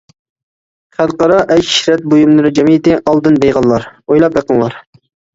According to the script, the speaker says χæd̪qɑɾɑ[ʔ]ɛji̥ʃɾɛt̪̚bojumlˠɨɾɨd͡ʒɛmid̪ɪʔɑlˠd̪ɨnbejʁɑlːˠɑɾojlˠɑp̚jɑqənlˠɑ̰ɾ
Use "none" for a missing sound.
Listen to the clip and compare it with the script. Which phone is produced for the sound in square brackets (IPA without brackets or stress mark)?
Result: ʔ